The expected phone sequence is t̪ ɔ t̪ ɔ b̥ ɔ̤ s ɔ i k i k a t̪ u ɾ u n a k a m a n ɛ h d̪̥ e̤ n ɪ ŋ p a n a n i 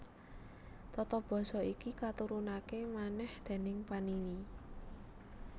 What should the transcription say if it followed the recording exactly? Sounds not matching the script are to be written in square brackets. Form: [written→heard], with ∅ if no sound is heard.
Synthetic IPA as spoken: t̪ ɔ t̪ ɔ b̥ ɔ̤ s ɔ i k i k a t̪ u ɾ u n a k [a→e] m a n ɛ h d̪̥ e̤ n ɪ ŋ p a n [a→i] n i